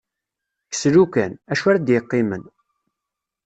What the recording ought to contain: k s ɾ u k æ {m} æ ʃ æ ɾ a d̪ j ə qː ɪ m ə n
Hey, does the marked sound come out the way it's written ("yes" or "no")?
no